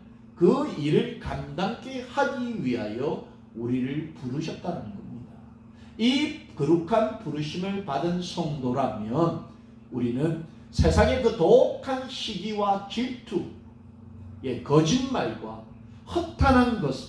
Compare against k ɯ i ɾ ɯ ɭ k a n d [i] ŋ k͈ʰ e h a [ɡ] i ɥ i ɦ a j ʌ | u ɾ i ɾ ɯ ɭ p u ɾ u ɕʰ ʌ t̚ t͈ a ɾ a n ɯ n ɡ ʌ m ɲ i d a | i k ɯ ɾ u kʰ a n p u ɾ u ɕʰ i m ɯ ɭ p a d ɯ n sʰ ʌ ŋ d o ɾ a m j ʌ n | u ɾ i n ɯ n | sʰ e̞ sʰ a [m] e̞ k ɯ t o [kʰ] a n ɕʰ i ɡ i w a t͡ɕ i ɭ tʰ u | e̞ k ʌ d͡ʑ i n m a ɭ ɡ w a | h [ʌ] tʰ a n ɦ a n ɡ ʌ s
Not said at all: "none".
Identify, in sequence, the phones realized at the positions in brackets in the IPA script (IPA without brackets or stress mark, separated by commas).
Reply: a, ɡ, ŋ, kʰ, ʌ